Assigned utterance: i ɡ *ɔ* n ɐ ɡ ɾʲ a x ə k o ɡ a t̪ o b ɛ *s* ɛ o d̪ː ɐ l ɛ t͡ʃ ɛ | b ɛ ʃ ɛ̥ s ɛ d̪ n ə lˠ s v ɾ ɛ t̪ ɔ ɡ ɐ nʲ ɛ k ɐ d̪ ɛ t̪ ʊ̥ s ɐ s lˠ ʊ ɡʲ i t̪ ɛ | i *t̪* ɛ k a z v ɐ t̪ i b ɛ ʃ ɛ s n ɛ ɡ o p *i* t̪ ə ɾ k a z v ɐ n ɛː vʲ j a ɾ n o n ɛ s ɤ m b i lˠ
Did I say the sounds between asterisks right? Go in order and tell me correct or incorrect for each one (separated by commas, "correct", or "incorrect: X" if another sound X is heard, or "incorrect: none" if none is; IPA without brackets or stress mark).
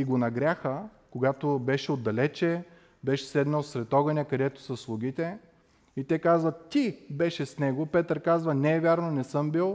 incorrect: o, incorrect: ʃ, correct, incorrect: ɛ